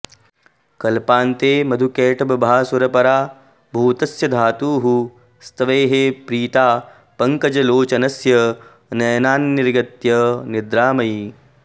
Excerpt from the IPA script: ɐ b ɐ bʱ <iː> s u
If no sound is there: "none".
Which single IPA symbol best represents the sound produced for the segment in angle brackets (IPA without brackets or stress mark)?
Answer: aː